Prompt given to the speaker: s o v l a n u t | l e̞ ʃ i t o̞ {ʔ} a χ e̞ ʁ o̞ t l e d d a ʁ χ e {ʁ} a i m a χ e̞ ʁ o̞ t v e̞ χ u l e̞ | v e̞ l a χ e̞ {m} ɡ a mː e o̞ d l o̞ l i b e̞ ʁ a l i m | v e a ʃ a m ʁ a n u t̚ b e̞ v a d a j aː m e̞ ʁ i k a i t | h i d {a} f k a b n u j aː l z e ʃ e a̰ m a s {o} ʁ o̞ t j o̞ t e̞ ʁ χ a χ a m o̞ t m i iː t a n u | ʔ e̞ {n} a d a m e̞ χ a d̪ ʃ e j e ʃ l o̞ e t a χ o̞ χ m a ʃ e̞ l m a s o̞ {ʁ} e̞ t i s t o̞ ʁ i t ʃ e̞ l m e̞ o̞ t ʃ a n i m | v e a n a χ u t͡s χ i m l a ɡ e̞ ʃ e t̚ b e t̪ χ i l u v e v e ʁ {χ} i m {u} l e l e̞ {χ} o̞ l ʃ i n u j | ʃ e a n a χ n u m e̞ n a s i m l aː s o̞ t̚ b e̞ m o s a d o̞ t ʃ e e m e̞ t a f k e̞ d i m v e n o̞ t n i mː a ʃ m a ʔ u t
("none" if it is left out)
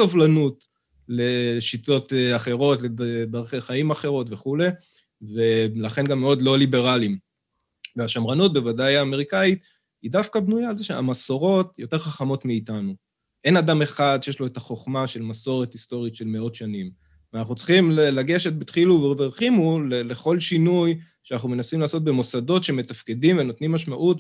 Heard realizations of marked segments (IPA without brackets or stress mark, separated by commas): t, χ, n, a, o, n, ʁ, χ, u, χ